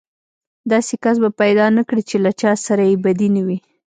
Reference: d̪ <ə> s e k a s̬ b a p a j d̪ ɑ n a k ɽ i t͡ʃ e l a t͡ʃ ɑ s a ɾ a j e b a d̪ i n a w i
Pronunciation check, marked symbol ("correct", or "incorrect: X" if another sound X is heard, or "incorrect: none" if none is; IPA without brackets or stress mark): incorrect: ɑ